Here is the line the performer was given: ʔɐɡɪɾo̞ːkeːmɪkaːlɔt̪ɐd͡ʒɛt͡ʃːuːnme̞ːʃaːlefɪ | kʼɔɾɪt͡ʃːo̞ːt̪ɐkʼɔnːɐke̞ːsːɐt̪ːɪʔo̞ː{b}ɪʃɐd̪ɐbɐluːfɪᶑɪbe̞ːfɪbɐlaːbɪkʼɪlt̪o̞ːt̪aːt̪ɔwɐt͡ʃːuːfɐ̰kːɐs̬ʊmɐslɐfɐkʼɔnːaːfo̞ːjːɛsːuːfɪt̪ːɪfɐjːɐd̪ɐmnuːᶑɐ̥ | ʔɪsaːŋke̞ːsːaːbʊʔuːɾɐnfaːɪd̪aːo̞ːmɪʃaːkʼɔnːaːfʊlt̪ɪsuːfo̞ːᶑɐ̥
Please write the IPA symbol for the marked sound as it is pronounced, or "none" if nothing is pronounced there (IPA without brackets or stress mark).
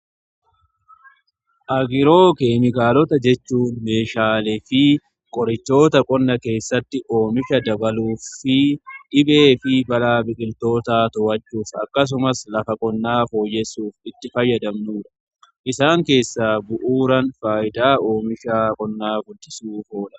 m